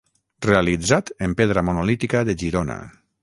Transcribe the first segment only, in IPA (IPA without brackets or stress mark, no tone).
r